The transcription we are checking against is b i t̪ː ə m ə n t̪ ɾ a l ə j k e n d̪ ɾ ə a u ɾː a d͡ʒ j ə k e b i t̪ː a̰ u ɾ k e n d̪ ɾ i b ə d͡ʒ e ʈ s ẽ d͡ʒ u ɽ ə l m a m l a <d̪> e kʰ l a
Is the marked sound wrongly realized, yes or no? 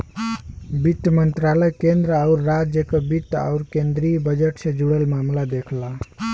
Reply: no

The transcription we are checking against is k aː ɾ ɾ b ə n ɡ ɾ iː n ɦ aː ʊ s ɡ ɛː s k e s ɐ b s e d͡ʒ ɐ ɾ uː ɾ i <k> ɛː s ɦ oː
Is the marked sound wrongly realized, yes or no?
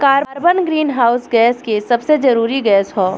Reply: yes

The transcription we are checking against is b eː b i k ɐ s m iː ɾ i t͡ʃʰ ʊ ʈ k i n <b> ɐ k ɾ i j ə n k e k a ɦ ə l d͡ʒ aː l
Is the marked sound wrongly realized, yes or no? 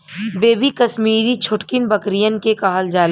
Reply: no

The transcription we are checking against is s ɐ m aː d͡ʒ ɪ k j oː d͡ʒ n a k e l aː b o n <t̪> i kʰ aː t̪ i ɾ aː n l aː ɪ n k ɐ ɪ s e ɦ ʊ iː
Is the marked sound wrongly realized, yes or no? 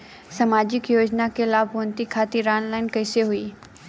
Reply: no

